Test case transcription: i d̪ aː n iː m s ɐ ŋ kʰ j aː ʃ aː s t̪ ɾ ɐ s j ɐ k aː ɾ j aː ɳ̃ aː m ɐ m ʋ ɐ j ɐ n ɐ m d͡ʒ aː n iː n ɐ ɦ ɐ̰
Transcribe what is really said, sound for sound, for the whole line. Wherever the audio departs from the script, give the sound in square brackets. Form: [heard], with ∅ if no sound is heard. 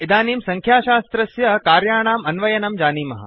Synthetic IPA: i d̪ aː n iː m s ɐ ŋ kʰ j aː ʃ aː s t̪ ɾ ɐ s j ɐ k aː ɾ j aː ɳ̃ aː m ɐ [n] ʋ ɐ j ɐ n ɐ m d͡ʒ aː n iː [m] ɐ ɦ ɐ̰